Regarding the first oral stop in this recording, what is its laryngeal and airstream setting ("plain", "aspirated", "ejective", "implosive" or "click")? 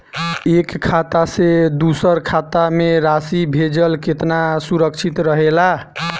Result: plain